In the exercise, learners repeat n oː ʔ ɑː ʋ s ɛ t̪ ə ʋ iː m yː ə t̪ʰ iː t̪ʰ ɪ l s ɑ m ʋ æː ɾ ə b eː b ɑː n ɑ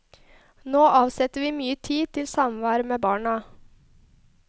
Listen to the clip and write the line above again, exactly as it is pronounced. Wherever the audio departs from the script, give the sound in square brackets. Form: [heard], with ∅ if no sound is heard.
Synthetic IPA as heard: n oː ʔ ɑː ʋ s ɛ t̪ ə ʋ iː m yː ə t̪ʰ iː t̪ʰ ɪ l s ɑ m ʋ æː ɾ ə [m] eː b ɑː [ɳ] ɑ